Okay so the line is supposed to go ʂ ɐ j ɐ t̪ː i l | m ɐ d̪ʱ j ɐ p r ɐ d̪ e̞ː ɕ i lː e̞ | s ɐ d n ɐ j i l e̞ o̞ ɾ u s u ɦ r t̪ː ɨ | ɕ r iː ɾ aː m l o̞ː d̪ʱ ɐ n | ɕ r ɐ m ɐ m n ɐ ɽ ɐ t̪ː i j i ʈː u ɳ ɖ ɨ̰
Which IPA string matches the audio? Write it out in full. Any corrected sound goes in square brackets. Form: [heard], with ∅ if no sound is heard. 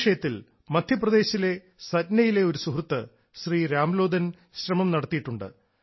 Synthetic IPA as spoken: ʂ ɐ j ɐ t̪ː i l | m ɐ d̪ʱ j ɐ p r ɐ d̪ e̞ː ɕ i [l] e̞ | s ɐ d n ɐ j i l e̞ o̞ ɾ u s u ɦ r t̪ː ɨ | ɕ r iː ɾ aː m l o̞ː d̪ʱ ɐ n | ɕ r ɐ m ɐ m n ɐ ɽ ɐ t̪ː i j i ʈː u ɳ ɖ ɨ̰

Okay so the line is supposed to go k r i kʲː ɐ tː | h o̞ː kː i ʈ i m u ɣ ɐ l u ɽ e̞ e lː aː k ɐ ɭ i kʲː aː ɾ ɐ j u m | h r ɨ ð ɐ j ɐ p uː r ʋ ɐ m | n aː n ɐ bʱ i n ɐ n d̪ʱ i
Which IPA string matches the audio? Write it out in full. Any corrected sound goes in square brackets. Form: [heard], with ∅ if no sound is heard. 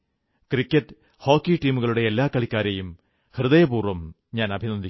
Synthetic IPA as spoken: k r i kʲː ɐ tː | h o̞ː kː i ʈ [iː] m u ɣ ɐ [ɭ] u ɽ e̞ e lː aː k ɐ ɭ i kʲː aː ɾ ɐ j u m | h r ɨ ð ɐ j ɐ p uː r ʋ ɐ m | [ɲ] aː n ɐ bʱ i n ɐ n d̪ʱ i

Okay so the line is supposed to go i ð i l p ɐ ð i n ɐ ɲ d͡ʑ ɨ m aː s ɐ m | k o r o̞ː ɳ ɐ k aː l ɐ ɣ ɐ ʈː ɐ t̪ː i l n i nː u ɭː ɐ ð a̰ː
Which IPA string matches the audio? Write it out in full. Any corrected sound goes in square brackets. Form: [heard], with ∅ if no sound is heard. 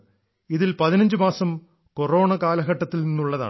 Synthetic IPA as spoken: i ð i l p ɐ ð i n ɐ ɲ d͡ʑ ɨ m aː s ɐ m | k o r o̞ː ɳ ɐ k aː l ɐ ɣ ɐ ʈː ɐ t̪ː i l n i nː u ɭː ɐ ð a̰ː

